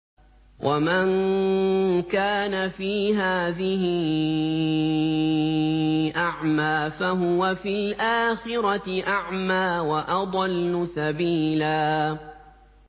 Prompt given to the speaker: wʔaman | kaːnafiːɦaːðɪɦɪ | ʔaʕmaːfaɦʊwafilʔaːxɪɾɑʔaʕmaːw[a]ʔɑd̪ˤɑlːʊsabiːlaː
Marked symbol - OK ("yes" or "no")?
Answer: yes